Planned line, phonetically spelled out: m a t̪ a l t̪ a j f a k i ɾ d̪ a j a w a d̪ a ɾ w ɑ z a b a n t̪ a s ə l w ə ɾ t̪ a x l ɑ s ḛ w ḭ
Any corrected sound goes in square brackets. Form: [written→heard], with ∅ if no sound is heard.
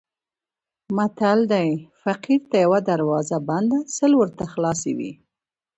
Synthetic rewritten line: m a t̪ a l [t̪→d̪] a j f a [k→q] i ɾ [d̪→t̪] a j a w a d̪ a ɾ w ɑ z a b a n [t̪→d̪] a s ə l w ə ɾ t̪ a x l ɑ s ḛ w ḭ

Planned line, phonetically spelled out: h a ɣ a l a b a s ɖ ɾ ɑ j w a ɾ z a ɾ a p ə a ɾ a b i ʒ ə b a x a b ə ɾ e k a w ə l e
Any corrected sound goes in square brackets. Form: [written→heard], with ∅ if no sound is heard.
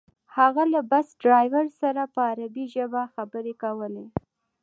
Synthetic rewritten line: h a ɣ a l a b a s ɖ ɾ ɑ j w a ɾ [z→s] a ɾ a p ə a ɾ a b i ʒ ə b a x a b ə ɾ e k a w ə l e

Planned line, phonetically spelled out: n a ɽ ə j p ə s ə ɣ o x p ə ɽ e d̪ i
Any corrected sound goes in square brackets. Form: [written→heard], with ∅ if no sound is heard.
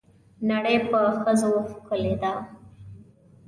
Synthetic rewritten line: n a ɽ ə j p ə [s→x] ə [ɣ→z] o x [p→k] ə [ɽ→l] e d̪ [i→a]

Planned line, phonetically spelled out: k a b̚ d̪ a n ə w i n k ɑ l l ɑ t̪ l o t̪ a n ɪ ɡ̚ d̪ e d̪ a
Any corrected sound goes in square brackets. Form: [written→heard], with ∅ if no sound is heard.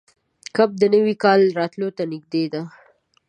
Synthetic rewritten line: k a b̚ d̪ [a→ə] n ə w i [n→∅] k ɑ l [l→ɾ] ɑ t̪ l o t̪ a n ɪ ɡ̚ d̪ e d̪ a

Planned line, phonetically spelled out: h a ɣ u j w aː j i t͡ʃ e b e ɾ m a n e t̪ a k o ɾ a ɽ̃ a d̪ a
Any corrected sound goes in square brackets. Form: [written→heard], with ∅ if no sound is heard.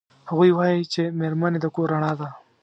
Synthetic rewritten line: h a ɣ u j w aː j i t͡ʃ e [b→m] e ɾ m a n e [t̪→d̪] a k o ɾ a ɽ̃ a d̪ a

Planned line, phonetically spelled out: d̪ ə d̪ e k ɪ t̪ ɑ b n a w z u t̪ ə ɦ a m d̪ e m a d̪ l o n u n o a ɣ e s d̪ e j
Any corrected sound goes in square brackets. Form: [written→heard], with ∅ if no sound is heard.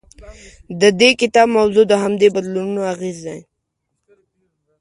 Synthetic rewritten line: d̪ ə d̪ e k ɪ t̪ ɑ b [n→m] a w z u [t̪→d̪] ə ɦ a m d̪ e [m→b] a d̪ l [o→u] n u n o a ɣ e [s→z] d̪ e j

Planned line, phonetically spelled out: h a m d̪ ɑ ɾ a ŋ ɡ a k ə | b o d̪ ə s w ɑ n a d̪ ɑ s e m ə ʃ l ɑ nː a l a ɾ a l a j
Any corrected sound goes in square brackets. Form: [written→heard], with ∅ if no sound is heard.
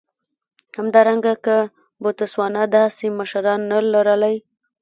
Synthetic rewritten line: h a m d̪ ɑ ɾ a ŋ ɡ a k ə | b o [d̪→t̪] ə s w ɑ n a d̪ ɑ s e m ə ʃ [l→ɾ] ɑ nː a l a ɾ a l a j

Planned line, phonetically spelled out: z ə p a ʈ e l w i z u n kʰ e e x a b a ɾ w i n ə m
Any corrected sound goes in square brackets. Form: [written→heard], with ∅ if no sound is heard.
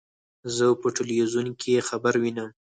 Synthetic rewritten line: z ə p [a→ə] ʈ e l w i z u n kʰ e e x a b a ɾ w i n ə m

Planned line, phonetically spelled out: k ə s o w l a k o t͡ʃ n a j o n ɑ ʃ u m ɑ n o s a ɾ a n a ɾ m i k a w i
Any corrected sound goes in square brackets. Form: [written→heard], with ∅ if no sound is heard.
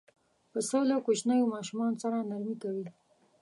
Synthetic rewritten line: [k→p] ə s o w l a k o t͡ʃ n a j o [n→m] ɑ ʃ u m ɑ n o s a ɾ a n a ɾ m i k a w i

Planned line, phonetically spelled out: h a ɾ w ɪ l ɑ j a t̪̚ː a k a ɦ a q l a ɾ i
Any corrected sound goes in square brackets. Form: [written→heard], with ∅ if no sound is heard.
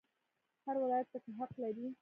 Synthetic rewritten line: h a ɾ w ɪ l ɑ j a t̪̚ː a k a ɦ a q l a ɾ i

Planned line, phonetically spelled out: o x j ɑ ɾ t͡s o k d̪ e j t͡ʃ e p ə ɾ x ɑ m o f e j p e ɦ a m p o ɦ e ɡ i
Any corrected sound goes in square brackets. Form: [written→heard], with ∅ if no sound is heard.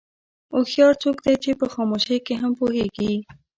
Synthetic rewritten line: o x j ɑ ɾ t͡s o k d̪ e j t͡ʃ e p ə [ɾ→∅] x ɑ m o [f→ʃ] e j [p→k] e ɦ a m p o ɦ e ɡ i

